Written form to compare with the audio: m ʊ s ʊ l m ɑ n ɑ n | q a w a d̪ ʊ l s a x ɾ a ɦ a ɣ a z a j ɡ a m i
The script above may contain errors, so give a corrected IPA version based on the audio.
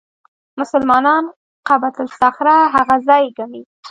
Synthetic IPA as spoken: m ʊ s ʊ l m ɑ n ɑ n | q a b a t̪ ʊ l s a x ɾ a ɦ a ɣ a z ɑ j ɡ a m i